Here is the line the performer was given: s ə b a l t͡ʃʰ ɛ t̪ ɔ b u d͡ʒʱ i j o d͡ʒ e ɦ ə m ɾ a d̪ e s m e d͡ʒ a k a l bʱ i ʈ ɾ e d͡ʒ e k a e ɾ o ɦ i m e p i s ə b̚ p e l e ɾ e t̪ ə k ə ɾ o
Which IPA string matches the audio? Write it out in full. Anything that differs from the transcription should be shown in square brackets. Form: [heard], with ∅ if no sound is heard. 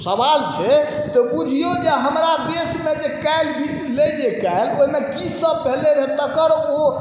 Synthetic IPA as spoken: s ə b a l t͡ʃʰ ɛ t̪ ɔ b u d͡ʒʱ i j o d͡ʒ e ɦ ə m ɾ a d̪ e s m e d͡ʒ [e] k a l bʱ i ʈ [l] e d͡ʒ e k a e [l] o ɦ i m e [k] i s ə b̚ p e l e ɾ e t̪ ə k ə ɾ o